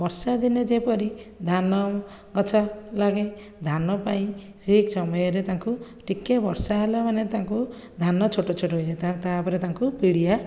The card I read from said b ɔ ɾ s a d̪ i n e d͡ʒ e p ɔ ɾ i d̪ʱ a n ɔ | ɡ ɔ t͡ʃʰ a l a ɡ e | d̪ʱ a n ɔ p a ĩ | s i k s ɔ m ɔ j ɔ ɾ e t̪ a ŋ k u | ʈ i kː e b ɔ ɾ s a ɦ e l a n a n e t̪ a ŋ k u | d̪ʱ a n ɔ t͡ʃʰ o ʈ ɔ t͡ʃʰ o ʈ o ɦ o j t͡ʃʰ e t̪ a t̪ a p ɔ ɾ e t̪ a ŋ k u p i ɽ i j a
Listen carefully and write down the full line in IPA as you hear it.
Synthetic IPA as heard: b ɔ ɾ s a d̪ i n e d͡ʒ e p ɔ ɾ i d̪ʱ a n ɔ | ɡ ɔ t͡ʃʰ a l a ɡ e | d̪ʱ a n ɔ p a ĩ | s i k s ɔ m ɔ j ɔ ɾ e t̪ a ŋ k u | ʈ i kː e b ɔ ɾ s a ɦ e l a m a n e t̪ a ŋ k u | d̪ʱ a n ɔ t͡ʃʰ o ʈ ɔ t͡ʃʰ o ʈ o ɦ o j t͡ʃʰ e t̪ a t̪ a p ɔ ɾ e t̪ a ŋ k u p i ɽ i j a

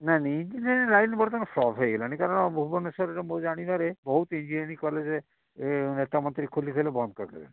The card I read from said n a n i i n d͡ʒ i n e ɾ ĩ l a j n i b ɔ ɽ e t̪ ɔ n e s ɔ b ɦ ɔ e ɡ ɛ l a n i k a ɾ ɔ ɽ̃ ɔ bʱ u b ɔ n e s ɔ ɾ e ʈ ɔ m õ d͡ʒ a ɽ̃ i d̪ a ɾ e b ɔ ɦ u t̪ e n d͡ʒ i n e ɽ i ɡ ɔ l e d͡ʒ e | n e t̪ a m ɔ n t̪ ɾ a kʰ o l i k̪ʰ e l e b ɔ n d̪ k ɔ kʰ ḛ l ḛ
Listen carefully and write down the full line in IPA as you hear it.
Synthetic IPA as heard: n a n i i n d͡ʒ i n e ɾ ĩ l a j n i b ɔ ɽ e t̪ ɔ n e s ɔ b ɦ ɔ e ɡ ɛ l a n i k a ɾ ɔ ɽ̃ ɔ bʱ u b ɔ n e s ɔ ɾ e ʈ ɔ m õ d͡ʒ a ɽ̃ i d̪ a ɾ e b ɔ ɦ u t̪ i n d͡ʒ i n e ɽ i k ɔ l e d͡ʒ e | n e t̪ a m ɔ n t̪ ɾ i kʰ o l i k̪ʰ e l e b ɔ n d̪ k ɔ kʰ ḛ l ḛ

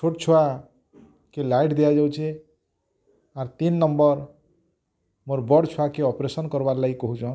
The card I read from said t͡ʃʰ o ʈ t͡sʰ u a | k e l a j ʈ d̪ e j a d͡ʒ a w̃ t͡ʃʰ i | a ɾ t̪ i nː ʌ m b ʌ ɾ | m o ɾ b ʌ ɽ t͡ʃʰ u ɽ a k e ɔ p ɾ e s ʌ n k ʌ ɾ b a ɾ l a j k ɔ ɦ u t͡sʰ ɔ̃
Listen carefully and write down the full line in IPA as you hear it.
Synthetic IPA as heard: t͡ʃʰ o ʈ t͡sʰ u a | k e l a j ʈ d̪ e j a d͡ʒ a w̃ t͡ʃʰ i | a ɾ t̪ i nː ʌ m b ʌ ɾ | m o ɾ b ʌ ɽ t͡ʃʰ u a k e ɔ p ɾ e s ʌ n k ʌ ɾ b a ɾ l a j k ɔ ɦ u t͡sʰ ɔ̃

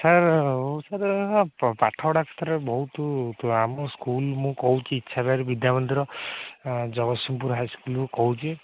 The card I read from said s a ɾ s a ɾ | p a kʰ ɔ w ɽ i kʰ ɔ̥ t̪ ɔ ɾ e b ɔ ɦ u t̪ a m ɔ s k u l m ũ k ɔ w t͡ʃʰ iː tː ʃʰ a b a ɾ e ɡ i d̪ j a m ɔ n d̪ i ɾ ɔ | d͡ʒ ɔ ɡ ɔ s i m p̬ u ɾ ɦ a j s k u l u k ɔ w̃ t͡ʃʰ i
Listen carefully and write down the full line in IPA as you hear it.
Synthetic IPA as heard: s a ɾ s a ɾ | p a ʈʰ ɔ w ɽ a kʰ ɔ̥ t̪ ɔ ɾ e b ɔ ɦ u t̪ a m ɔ s k u l m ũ k ɔ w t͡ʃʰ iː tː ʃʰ a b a ɾ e b i d̪ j a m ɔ n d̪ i ɾ ɔ | d͡ʒ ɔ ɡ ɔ s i m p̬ u ɾ ɦ a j s k u l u k ɔ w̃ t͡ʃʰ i

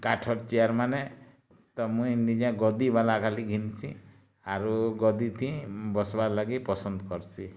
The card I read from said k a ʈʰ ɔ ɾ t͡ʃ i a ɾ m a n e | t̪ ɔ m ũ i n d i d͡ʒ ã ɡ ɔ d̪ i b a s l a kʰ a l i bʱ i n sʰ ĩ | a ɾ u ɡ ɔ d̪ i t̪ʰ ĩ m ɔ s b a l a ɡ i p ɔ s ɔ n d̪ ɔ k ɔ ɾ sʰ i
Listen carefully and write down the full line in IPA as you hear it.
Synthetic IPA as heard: k a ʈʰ ɔ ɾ t͡ʃ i a ɾ m a n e | t̪ ɔ m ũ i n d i d͡ʒ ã ɡ ɔ d̪ i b a l a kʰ a l i ɡʱ i n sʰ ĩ | a ɾ u ɡ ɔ d̪ i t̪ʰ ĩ b ɔ s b a l a ɡ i p ɔ s ɔ n d̪ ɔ k ɔ ɾ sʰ i

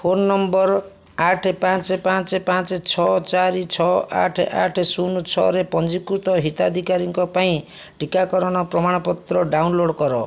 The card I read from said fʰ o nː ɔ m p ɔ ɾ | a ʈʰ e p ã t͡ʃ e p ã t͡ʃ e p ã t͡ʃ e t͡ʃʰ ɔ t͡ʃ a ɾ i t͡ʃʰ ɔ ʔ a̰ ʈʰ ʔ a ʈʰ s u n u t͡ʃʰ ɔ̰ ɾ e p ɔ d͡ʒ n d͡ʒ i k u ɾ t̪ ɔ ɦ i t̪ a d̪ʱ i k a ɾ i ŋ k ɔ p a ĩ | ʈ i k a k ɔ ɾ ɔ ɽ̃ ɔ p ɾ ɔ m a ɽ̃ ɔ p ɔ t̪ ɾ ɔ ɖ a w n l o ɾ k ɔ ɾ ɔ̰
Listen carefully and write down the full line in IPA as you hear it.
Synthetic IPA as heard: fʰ o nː ɔ m b ɔ ɾ | a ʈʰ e p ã t͡ʃ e p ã t͡ʃ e p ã t͡ʃ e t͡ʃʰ ɔ t͡ʃ a ɾ i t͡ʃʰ ɔ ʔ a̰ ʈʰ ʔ a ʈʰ s u n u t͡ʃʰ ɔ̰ ɾ e p ɔ n d͡ʒ i k u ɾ t̪ ɔ ɦ i t̪ a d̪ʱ i k a ɾ i ŋ k ɔ p a ĩ | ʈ i k a k ɔ ɾ ɔ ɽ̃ ɔ p ɾ ɔ m a ɽ̃ ɔ p ɔ t̪ ɾ ɔ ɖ a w n l o ɽ k ɔ ɾ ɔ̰

